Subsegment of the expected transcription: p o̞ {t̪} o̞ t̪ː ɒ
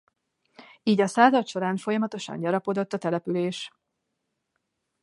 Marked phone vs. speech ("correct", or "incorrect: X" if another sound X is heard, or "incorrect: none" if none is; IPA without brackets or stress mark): incorrect: d̪